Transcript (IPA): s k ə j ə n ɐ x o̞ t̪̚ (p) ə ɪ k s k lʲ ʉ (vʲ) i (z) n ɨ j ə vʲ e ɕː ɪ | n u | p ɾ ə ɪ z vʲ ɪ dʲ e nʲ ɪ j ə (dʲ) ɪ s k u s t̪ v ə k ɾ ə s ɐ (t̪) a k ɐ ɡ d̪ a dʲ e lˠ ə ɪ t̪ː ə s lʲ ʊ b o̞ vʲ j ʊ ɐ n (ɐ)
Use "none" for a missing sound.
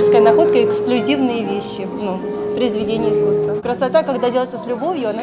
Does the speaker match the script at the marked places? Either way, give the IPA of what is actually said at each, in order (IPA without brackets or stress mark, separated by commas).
k, zʲ, v, none, t̪, a